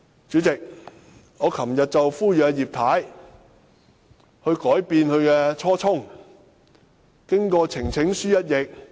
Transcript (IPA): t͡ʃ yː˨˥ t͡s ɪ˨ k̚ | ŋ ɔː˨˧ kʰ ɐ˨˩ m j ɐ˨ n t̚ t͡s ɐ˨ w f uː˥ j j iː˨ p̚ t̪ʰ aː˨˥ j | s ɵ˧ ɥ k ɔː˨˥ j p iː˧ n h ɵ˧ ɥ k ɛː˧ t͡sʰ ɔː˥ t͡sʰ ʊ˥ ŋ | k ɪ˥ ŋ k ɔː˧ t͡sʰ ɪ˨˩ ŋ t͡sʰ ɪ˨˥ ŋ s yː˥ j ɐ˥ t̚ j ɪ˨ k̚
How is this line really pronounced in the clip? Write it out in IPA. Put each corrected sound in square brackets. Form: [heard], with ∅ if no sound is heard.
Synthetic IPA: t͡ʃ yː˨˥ t͡s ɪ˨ k̚ | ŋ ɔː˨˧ kʰ ɐ˨˩ m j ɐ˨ [∅] t̚ t͡s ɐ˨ w f uː˥ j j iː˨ p̚ t̪ʰ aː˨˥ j | [h] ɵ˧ ɥ k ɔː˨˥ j p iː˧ n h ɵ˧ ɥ k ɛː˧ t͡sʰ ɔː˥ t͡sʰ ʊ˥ ŋ | k ɪ˥ ŋ k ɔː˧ t͡sʰ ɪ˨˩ ŋ t͡sʰ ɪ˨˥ ŋ s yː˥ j ɐ˥ t̚ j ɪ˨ k̚